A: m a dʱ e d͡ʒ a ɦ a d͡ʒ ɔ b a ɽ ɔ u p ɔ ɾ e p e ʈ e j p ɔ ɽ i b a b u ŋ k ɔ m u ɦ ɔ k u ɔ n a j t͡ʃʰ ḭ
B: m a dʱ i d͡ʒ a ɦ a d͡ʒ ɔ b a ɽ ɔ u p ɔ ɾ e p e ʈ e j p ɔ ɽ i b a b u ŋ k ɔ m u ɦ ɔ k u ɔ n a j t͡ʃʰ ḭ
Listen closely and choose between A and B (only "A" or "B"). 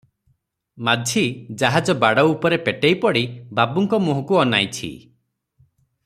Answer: B